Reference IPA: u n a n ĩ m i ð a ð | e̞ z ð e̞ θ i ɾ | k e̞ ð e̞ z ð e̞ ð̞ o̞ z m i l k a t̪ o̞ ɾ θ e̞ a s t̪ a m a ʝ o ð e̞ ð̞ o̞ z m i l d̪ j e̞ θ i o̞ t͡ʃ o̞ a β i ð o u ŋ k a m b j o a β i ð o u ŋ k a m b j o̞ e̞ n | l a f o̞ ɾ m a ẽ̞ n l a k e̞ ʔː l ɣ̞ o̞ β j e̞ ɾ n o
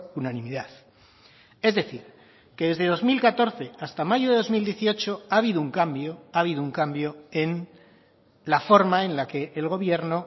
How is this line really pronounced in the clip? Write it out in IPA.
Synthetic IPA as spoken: u n a n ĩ m i ð a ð | e̞ z ð e̞ θ i ɾ | k e̞ ð e̞ z ð e̞ ð̞ o̞ z m i l k a t̪ o̞ ɾ θ e̞ a s t̪ a m a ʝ o ð e̞ ð̞ o̞ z m i l d̪ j e̞ θ i o̞ t͡ʃ o̞ a β i ð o u ŋ k a m b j o a β i ð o u ŋ k a m b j o̞ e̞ n | l a f o̞ ɾ m a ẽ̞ n l a k e̞ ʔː l ɣ̞ o̞ β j e̞ ɾ n o

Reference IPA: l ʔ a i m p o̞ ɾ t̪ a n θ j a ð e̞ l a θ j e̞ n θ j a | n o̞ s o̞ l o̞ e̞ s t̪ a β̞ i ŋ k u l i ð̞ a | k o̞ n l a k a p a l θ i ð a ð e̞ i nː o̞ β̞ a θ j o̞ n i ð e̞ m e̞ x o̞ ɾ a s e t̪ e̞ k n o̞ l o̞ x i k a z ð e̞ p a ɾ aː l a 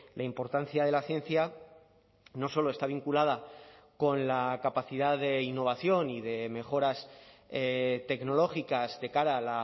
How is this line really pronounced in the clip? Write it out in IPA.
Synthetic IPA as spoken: l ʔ a i m p o̞ ɾ t̪ a n θ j a ð e̞ l a θ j e̞ n θ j a | n o̞ s o̞ l o̞ e̞ s t̪ a β̞ i ŋ k u l a ð̞ a | k o̞ n l a k a p a θ i ð a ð e̞ i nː o̞ β̞ a θ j o̞ n i ð e̞ m e̞ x o̞ ɾ a s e t̪ e̞ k n o̞ l o̞ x i k a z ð e̞ k a ɾ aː l a

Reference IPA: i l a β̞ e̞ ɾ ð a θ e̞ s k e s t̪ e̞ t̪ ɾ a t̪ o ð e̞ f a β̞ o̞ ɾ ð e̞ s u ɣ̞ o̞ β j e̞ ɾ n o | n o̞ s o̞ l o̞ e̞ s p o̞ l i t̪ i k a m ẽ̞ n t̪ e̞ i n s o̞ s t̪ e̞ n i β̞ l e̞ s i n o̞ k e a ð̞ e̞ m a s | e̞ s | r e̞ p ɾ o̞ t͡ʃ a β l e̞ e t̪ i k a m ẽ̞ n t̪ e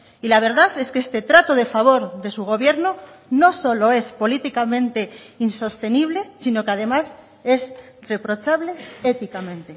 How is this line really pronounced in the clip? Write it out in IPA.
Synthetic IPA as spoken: i l a β̞ e̞ ɾ ð a θ e̞ s k e s t̪ e̞ t̪ ɾ a t̪ o ð e̞ f a β̞ o̞ ɾ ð e̞ s u ɣ̞ o̞ β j e̞ ɾ n o | n o̞ s o̞ l o̞ e̞ s p o̞ l i t̪ i k a m ẽ̞ n t̪ e̞ i n s o̞ s t̪ e̞ n i β̞ l e̞ s i n o̞ k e a ð̞ e̞ m a s | e̞ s | r e̞ p ɾ o̞ t͡ʃ a β l e̞ e t̪ i k a m ẽ̞ n t̪ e

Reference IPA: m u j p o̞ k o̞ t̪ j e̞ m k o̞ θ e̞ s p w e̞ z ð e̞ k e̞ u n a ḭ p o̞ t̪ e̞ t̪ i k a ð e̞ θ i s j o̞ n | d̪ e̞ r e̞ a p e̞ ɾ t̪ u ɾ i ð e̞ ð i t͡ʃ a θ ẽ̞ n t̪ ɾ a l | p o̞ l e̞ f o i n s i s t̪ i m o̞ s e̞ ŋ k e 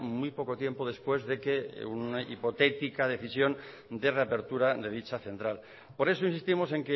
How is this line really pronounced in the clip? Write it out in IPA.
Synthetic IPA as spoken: m u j p o̞ k o̞ t̪ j e̞ m p o̞ ð e̞ s p w e̞ z ð e̞ k e̞ u n a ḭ p o̞ t̪ e̞ t̪ i k a ð e̞ θ i s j o̞ n | d̪ e̞ r e̞ a p e̞ ɾ t̪ u ɾ a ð e̞ ð i t͡ʃ a θ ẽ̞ n t̪ ɾ a l | p o̞ ɾ e̞ s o i n s i s t̪ i m o̞ s e̞ ŋ k e

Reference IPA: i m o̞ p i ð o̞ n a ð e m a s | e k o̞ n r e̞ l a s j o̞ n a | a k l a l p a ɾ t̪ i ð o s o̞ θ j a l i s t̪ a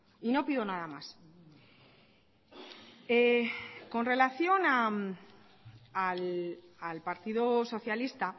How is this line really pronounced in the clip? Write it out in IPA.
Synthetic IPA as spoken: i n o̞ p i ð o̞ n a ð a m a s | e k o̞ n r e̞ l a θ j o̞ n a | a l a l p a ɾ t̪ i ð o s o̞ θ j a l i s t̪ a

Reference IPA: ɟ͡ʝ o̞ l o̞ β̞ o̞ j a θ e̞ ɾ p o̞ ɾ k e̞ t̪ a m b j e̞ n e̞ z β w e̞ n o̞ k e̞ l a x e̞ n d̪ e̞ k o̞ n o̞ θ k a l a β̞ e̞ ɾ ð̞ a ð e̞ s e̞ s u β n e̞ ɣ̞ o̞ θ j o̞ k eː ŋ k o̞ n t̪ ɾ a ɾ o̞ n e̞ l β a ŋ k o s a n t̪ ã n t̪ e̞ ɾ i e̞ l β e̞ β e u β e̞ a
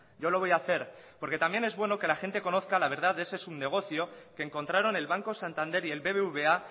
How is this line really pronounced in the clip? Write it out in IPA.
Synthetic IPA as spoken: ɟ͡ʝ o̞ l o̞ β̞ o̞ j a θ e̞ ɾ p o̞ ɾ k e̞ t̪ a m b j e̞ n e̞ z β w e̞ n o̞ k e̞ l a x e̞ n t̪ e̞ k o̞ n o̞ θ k a l a β̞ e̞ ɾ ð̞ a ð e̞ s e̞ s u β n e̞ ɣ̞ o̞ θ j o̞ k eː ŋ k o̞ n t̪ ɾ a ɾ o̞ n e̞ l β a ŋ k o s a n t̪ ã n d̪ e̞ ɾ i e̞ l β e̞ β e u β e̞ a

